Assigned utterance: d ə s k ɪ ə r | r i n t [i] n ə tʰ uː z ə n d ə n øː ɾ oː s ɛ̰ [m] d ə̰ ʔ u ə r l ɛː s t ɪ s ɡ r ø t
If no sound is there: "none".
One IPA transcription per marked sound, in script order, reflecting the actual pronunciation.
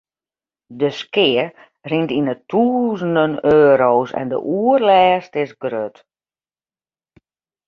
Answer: i, n

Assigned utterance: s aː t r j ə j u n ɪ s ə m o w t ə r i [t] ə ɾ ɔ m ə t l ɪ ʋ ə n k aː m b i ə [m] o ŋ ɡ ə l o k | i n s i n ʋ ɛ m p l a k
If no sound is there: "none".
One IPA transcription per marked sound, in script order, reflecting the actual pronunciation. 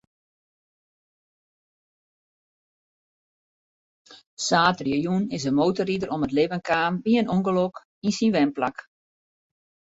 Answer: d, n

